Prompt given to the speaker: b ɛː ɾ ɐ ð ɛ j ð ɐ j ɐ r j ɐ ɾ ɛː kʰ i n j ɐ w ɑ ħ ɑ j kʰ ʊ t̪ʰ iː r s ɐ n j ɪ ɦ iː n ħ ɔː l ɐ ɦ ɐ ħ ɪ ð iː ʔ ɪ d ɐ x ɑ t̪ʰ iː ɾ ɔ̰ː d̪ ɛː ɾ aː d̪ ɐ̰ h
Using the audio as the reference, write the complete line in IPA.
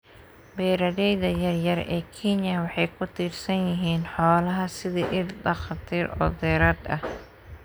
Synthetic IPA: b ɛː ɾ ɐ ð ɛ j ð ɐ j ɐ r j ɐ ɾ ɛː kʰ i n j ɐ w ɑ ħ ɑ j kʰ ʊ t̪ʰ iː r s ɐ n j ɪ ɦ iː n ħ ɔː l ɐ ɦ ɐ s ɪ ð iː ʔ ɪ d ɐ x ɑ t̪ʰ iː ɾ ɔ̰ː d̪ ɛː ɾ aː d̪ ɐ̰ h

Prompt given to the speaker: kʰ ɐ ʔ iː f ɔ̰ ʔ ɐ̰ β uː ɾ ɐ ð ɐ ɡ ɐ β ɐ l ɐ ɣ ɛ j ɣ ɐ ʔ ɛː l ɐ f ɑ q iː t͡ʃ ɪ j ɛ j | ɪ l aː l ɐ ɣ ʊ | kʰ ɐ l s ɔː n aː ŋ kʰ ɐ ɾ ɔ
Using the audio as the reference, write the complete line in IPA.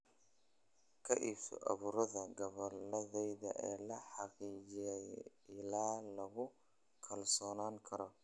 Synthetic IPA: kʰ ɐ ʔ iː f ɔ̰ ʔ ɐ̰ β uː ɾ ɐ ð ɐ ɡ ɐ β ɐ l ɐ ð ɛ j ð ɐ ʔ ɛː l ɐ ħ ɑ q iː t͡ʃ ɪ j ɛ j | ɪ l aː l ɐ ɣ ʊ | kʰ ɐ l s ɔː n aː ŋ kʰ ɐ ɾ ɔ

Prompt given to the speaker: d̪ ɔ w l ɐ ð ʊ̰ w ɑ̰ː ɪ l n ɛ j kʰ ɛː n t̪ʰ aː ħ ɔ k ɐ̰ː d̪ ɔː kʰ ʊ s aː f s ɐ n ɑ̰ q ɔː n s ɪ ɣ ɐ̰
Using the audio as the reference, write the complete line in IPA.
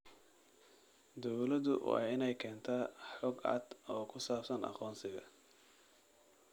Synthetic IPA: d̪ ɔ w l ɐ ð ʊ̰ w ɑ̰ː ɪ n ɛ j kʰ ɛː n t̪ʰ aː ħ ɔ ɡ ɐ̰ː d̪ ɔː kʰ ʊ s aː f s ɐ n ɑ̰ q ɔː n s ɪ ɣ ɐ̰

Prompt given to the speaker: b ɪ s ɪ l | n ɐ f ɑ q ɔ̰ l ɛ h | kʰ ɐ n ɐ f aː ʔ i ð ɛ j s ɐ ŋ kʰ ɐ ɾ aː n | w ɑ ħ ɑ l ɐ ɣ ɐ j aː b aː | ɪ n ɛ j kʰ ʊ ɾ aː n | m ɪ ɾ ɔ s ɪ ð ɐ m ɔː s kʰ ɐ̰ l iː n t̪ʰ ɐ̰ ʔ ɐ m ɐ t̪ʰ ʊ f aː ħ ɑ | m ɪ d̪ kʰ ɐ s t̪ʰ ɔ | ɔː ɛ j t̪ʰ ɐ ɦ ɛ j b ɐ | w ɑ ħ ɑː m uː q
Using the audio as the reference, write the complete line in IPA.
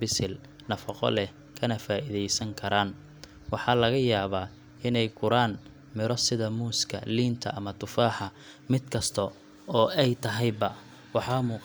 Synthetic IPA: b ɪ s ɪ l | n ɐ f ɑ q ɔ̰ l ɛ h | kʰ ɐ n ɐ f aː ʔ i ð ɛ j s ɐ ŋ kʰ ɐ ɾ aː n | w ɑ ħ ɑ l ɐ ɣ ɐ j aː β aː | ɪ n ɛ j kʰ ʊ ɾ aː n | m ɪ ɾ ɔ s ɪ ð ɐ m uː s kʰ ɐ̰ l iː n t̪ʰ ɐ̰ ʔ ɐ m ɐ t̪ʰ ʊ f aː ħ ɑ | m ɪ d̪ kʰ ɐ s t̪ʰ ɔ | ɔː ɛ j t̪ʰ ɐ ɦ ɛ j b ɐ | w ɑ ħ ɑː m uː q

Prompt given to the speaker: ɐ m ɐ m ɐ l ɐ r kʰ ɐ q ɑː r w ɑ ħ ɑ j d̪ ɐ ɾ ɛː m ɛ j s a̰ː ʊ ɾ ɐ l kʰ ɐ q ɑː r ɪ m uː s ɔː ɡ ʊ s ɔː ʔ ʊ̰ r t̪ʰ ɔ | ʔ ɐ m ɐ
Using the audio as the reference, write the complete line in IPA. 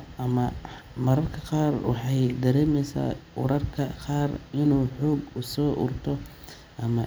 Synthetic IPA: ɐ m ɐ m ɐ ɾ ɐ r kʰ ɐ q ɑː r w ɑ ħ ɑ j d̪ ɐ ɾ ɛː m ɛ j s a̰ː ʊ ɾ ɐ r kʰ ɐ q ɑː r ɪ n uː ħ ɔː ɡ ʊ s ɔː ʔ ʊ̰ r t̪ʰ ɔ | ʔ ɐ m ɐ

